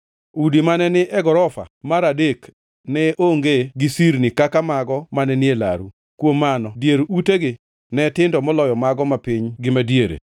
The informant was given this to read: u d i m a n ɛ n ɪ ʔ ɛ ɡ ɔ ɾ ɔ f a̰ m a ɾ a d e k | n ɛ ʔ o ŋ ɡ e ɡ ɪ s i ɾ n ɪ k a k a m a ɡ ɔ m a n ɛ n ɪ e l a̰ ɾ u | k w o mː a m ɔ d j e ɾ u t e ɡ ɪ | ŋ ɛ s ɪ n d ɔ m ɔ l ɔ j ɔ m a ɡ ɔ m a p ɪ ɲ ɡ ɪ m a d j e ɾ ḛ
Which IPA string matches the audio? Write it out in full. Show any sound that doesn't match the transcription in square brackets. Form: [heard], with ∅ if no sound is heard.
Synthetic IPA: u d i m a n ɛ n ɪ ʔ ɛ ɡ ɔ ɾ ɔ f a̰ m a ɾ a d e k | n ɛ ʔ o ŋ ɡ e ɡ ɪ s i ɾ n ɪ k a k a m a ɡ ɔ m a n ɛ n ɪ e l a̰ ɾ u | k w o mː a [n] ɔ d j e ɾ u t e ɡ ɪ | [n] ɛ [t] ɪ n d ɔ m ɔ l ɔ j ɔ m a ɡ ɔ m a p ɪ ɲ ɡ ɪ m a d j e ɾ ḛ